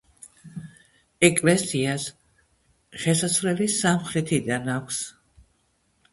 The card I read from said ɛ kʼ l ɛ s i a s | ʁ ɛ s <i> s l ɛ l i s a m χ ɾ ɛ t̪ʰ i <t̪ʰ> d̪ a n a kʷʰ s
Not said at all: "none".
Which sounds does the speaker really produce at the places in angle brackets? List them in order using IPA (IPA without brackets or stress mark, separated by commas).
a, none